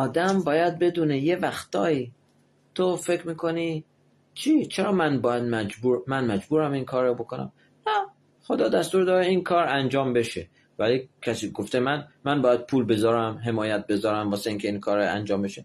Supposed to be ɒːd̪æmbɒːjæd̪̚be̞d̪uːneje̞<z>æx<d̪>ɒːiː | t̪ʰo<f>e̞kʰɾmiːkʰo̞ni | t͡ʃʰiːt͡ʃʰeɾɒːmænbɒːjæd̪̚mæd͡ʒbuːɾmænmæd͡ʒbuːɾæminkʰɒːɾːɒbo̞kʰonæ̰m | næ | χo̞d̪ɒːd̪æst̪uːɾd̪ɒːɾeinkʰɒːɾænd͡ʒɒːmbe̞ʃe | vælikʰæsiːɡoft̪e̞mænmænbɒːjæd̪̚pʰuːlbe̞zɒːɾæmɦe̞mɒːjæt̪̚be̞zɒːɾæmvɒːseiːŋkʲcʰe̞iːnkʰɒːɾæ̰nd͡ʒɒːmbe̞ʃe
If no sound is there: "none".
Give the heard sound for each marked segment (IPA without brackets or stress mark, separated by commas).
v, t̪, f